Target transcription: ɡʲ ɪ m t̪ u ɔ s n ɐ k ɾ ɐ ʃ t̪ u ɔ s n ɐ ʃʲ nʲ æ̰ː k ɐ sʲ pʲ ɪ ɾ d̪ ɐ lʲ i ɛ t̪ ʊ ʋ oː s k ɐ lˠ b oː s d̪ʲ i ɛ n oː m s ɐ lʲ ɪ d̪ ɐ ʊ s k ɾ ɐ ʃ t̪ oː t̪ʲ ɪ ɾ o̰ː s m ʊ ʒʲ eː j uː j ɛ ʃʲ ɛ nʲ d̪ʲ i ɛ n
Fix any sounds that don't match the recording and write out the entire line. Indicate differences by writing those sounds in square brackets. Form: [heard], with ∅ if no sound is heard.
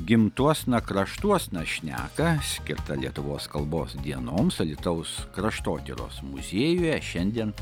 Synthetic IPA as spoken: ɡʲ ɪ m t̪ u ɔ s n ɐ k ɾ ɐ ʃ t̪ u ɔ s n ɐ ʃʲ nʲ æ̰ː k ɐ sʲ [kʲ] ɪ ɾ [t̪] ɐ lʲ i ɛ t̪ ʊ ʋ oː s k ɐ lˠ b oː s d̪ʲ i ɛ n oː m s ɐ lʲ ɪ [t̪] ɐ ʊ s k ɾ ɐ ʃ t̪ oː t̪ʲ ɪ ɾ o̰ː s m ʊ [zʲ] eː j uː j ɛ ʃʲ ɛ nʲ d̪ʲ i ɛ n